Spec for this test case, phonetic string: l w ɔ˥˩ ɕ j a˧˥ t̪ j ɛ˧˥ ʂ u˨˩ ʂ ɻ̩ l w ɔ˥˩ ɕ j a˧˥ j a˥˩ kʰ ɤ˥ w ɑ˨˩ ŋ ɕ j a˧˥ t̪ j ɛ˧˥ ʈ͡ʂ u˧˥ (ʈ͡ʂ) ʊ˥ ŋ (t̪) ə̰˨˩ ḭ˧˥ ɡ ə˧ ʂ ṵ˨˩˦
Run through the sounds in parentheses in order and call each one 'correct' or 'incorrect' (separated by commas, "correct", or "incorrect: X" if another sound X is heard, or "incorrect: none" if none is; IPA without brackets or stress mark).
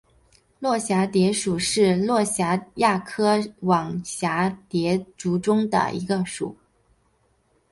correct, incorrect: d̪